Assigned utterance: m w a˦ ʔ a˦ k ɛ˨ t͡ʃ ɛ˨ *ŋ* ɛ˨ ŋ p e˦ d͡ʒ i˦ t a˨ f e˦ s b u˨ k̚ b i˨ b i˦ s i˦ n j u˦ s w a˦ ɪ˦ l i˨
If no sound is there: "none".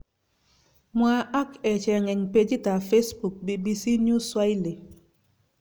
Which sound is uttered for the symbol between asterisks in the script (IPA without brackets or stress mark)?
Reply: ŋ